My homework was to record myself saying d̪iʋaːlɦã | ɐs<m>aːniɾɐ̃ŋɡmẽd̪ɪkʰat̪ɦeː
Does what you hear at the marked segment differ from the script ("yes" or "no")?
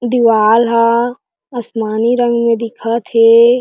no